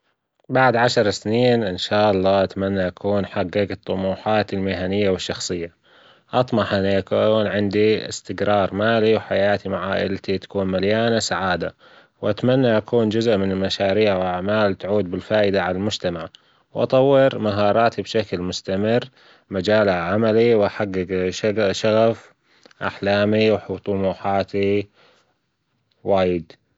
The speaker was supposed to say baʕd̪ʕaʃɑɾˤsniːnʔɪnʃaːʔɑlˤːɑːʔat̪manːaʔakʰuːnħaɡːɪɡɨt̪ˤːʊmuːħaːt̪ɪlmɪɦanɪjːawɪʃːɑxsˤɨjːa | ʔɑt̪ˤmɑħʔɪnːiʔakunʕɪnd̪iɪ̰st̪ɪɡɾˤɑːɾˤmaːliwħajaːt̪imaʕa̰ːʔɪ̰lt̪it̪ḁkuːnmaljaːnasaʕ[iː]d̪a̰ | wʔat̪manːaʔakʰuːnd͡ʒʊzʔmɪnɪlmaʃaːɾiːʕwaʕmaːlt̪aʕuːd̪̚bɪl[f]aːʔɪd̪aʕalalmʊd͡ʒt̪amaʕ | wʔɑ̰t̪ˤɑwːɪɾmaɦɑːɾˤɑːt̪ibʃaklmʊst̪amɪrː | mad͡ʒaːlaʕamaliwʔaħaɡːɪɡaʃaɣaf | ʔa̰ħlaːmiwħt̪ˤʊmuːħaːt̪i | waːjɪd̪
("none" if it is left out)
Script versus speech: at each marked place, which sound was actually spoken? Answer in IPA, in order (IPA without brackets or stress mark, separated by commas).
aː, f